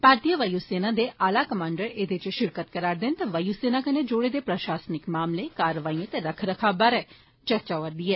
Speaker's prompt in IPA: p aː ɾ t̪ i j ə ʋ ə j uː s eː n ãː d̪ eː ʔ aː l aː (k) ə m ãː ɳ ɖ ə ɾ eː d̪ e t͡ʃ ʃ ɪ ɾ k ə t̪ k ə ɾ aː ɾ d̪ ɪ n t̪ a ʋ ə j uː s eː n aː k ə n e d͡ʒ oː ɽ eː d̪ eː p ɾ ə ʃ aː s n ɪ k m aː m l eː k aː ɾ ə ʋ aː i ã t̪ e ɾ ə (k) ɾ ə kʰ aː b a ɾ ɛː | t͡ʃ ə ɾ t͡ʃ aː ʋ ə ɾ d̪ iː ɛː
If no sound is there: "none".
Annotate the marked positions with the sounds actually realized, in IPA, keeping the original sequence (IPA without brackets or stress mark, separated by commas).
k, kʰ